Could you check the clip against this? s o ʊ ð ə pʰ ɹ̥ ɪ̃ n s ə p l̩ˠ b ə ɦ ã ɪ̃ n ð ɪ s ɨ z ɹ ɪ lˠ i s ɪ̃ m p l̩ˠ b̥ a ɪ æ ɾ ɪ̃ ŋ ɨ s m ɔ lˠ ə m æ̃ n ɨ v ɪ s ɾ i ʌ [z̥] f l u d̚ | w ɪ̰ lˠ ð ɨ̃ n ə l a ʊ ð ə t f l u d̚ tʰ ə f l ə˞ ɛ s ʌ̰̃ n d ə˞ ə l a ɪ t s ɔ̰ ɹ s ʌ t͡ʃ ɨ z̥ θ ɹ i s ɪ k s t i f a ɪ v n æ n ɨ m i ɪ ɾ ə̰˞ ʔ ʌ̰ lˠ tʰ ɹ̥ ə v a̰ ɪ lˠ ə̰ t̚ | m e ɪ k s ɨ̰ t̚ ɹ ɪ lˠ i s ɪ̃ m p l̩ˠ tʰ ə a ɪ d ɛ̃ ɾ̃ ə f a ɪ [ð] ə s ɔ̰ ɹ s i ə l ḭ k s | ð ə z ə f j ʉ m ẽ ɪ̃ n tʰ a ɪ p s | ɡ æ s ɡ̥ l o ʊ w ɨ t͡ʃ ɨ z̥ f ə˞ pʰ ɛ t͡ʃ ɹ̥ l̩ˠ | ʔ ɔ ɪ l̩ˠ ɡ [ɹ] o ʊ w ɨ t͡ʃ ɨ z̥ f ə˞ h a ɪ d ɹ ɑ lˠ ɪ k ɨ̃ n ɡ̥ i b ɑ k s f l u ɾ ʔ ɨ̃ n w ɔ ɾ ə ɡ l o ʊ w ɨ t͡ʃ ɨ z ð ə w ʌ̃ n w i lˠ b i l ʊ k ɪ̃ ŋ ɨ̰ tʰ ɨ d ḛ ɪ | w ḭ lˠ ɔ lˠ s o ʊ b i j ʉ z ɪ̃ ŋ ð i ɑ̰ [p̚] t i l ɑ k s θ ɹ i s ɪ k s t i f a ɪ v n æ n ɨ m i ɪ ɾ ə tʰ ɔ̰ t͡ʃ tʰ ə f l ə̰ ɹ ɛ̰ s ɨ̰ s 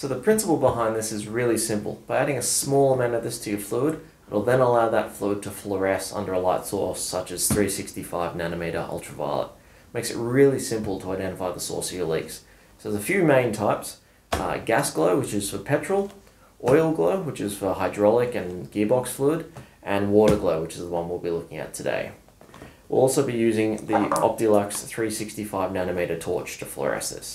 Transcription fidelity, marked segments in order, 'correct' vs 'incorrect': incorrect: v̥, correct, incorrect: l, correct

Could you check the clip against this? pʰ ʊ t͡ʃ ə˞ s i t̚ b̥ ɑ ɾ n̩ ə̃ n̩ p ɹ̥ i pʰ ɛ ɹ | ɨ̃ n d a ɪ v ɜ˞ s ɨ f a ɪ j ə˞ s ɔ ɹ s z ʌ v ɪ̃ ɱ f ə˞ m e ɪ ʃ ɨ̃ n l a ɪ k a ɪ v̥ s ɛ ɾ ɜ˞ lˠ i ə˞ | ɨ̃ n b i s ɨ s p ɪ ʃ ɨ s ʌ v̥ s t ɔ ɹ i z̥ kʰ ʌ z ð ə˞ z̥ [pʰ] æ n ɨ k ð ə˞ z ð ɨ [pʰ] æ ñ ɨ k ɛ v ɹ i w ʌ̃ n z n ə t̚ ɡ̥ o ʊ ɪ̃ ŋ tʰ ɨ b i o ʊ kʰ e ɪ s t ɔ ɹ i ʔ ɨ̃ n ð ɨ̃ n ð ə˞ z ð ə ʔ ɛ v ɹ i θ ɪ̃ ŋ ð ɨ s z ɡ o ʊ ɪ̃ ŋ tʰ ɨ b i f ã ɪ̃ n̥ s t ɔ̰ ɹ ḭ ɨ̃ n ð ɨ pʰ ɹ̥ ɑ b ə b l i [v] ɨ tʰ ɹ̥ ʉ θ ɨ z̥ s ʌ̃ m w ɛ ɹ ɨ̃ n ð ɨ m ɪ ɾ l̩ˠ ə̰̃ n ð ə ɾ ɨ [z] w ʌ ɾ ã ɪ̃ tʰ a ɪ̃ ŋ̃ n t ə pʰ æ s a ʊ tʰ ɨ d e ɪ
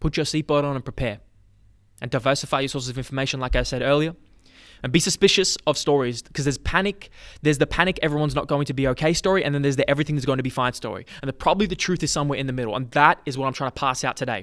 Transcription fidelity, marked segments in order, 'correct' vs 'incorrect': correct, correct, incorrect: ð, correct

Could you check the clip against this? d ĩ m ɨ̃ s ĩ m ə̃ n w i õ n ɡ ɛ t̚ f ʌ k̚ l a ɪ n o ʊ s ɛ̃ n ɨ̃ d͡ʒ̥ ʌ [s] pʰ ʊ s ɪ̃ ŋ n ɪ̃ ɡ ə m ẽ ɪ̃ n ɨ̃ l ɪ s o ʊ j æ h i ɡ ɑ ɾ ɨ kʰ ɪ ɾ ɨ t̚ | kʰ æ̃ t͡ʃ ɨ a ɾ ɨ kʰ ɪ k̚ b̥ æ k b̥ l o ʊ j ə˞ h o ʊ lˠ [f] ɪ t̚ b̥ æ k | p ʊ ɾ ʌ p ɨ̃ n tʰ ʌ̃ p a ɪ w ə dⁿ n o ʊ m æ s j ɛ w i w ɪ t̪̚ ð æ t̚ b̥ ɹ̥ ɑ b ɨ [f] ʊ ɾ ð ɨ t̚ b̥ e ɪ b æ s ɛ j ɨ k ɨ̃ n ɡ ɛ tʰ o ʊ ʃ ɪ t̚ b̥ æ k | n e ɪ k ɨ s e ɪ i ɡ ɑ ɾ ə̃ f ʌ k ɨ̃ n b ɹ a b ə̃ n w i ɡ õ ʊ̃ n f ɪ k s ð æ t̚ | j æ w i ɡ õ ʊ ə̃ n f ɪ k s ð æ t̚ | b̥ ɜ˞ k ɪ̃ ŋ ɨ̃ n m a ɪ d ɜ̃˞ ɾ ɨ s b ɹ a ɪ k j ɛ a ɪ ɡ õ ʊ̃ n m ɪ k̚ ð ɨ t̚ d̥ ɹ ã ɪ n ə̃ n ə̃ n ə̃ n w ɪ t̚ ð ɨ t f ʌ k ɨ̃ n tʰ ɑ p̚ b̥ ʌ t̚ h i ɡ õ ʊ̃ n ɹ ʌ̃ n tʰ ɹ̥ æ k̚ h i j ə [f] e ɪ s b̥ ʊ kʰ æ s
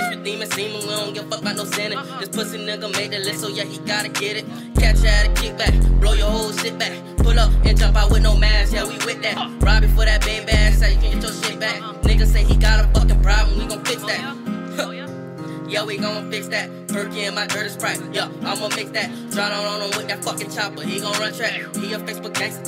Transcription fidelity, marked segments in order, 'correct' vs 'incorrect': correct, incorrect: ʃ, correct, correct

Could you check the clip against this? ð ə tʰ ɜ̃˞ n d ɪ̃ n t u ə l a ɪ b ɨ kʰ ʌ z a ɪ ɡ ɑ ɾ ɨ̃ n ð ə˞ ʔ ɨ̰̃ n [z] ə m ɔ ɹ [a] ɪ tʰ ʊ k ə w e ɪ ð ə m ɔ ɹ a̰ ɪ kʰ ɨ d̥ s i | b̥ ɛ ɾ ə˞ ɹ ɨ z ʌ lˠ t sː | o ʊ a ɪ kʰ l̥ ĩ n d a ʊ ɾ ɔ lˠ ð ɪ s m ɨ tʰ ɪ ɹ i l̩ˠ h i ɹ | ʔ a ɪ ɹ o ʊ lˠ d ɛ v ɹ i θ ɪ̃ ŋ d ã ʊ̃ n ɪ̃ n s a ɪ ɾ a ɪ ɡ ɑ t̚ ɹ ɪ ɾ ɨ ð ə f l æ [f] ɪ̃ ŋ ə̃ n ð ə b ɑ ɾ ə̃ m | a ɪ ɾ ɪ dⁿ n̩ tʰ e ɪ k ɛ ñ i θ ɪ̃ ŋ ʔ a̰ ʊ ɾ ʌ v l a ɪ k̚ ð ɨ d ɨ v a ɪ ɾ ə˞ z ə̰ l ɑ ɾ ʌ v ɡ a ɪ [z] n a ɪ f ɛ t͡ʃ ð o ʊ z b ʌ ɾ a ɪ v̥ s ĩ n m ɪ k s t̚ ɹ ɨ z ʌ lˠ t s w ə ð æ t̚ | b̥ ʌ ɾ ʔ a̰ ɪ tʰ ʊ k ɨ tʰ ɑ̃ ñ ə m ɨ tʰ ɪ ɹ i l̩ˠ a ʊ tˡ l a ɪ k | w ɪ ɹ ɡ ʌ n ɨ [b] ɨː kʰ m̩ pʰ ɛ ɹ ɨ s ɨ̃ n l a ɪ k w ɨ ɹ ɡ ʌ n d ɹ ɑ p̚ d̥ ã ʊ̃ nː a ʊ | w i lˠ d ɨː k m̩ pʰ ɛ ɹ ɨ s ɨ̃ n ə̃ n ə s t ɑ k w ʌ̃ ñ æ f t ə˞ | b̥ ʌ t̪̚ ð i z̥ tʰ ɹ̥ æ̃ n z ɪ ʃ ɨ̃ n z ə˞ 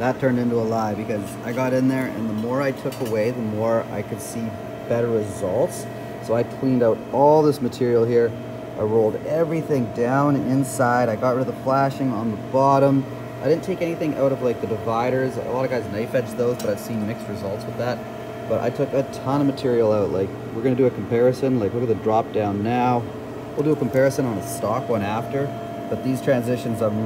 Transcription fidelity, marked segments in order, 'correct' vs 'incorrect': incorrect: ð, correct, incorrect: ʃ, correct, incorrect: d

